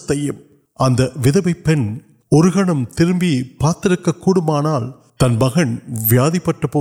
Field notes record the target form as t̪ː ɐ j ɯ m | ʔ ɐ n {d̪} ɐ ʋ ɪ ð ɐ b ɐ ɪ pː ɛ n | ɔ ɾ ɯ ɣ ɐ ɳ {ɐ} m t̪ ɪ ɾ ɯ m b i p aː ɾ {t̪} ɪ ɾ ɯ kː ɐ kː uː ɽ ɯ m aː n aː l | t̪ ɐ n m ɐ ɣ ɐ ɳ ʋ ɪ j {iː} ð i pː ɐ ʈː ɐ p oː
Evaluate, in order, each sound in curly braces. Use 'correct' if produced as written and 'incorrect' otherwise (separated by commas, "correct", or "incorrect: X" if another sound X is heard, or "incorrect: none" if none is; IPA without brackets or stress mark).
correct, correct, correct, incorrect: aː